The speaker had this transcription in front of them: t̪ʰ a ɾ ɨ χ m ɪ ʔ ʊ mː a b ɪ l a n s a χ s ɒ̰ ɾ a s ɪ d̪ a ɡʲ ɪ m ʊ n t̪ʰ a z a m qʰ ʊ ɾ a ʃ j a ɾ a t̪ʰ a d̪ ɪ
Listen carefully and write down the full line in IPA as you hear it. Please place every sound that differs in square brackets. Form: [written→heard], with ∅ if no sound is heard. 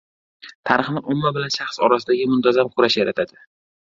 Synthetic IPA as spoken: t̪ʰ a ɾ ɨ χ [m→n] ɪ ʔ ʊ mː a b ɪ l a n [s→ʃ] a χ s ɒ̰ ɾ a s ɪ d̪ a ɡʲ ɪ m ʊ n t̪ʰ a z a m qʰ ʊ ɾ a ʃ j a ɾ a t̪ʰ a d̪ ɪ